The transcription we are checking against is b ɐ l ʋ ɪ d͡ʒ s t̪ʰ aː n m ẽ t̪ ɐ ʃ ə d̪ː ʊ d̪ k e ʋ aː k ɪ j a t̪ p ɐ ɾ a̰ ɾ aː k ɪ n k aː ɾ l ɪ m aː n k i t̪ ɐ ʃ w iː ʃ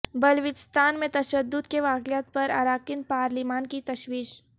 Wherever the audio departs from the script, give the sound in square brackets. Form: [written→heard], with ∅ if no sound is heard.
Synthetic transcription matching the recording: b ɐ l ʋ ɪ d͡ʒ s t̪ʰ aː n m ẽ t̪ ɐ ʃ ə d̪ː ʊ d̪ k e ʋ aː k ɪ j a t̪ p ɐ ɾ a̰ ɾ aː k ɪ n [k→p] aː ɾ l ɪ m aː n k i t̪ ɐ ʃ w iː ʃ